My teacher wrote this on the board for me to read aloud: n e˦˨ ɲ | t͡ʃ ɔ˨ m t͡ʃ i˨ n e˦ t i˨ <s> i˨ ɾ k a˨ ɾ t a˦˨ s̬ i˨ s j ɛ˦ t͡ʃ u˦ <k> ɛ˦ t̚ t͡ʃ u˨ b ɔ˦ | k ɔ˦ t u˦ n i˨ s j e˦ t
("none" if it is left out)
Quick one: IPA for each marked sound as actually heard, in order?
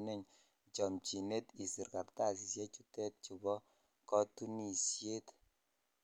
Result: s, t

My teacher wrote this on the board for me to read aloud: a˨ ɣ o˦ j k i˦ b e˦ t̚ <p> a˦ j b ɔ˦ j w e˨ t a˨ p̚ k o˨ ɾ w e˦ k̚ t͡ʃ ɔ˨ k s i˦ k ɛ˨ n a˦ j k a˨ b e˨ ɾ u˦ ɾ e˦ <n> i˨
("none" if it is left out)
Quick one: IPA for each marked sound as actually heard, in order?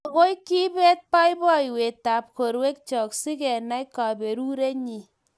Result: p, ɲ

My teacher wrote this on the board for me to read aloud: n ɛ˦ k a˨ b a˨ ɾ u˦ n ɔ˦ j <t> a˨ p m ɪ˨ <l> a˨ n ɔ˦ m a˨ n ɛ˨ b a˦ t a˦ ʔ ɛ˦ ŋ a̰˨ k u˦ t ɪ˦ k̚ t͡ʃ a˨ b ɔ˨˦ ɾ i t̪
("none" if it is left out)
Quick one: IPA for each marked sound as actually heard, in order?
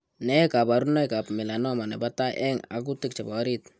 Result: k, l

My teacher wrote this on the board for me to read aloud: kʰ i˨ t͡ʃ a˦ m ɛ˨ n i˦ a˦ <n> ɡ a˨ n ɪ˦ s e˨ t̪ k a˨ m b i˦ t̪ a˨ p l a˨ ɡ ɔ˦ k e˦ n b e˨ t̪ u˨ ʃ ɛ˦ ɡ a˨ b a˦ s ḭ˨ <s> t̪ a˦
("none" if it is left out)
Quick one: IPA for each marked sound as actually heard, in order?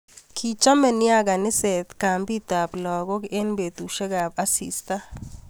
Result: none, s

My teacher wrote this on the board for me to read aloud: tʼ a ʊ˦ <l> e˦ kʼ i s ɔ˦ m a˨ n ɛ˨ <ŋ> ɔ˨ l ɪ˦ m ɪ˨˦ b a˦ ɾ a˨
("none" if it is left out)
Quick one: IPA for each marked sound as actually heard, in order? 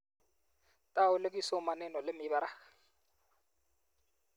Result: l, n

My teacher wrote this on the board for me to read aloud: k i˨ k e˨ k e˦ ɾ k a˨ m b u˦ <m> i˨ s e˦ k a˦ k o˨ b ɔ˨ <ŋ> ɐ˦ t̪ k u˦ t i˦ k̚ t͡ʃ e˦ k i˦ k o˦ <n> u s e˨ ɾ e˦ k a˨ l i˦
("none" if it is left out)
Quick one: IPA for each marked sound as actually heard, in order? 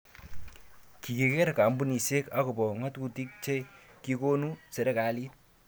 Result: n, ŋ, n

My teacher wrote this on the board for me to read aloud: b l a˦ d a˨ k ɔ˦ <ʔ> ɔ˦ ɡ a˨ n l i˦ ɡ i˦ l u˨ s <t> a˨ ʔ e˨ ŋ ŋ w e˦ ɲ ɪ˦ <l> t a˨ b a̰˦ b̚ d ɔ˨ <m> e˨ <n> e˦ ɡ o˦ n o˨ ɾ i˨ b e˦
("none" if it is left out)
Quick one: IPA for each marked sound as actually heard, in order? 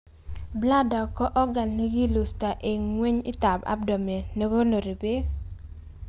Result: ʔ, t, none, m, n

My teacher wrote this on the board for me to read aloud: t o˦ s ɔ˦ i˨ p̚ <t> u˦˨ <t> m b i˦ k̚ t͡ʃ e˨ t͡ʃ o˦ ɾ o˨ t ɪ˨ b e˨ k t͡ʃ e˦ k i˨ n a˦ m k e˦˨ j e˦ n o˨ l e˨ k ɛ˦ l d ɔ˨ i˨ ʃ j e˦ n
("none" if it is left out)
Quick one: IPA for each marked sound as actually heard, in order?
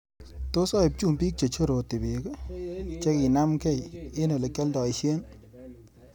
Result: t͡ʃ, none

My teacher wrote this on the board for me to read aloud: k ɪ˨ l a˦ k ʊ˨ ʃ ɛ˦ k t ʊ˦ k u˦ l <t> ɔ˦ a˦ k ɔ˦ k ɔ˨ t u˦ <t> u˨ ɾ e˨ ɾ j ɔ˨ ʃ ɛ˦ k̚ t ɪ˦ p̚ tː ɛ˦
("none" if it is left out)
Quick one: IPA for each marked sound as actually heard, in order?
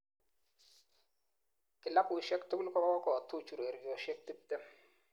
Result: k, t͡ʃ

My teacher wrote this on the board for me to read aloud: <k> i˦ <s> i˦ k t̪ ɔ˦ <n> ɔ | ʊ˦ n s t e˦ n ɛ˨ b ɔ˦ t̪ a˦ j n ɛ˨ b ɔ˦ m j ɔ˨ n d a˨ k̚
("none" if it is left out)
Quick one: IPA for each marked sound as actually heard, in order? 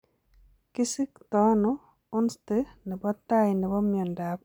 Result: k, s, n

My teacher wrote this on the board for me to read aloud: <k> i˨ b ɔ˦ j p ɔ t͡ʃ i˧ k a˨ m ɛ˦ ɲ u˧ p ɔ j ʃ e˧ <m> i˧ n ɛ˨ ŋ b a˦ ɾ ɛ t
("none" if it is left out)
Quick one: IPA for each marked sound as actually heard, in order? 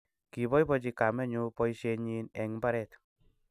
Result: k, ɲ

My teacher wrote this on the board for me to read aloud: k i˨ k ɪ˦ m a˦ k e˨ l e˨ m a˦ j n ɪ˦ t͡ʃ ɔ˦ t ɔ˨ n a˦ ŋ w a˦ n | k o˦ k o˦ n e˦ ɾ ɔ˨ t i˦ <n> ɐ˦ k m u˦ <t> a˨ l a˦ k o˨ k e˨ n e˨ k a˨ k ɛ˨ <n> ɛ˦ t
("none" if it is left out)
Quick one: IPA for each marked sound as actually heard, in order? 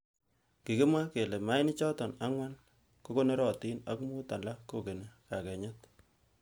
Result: n, t, ɲ

